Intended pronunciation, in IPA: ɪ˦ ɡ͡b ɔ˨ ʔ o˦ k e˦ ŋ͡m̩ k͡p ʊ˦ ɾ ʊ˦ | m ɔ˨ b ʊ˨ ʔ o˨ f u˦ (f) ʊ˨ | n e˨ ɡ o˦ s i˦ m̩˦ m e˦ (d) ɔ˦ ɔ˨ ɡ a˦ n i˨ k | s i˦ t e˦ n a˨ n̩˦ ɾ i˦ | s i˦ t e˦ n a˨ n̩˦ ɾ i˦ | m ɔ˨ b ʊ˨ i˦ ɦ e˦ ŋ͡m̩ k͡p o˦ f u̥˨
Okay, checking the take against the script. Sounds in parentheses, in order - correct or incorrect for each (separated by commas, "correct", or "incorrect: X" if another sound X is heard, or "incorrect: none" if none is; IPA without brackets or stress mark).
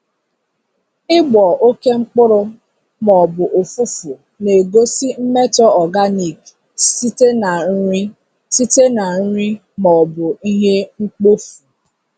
correct, incorrect: t